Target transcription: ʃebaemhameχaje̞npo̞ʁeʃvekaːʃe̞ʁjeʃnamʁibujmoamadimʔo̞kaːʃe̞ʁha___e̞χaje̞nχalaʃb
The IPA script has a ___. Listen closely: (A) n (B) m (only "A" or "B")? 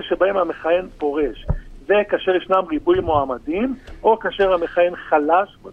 B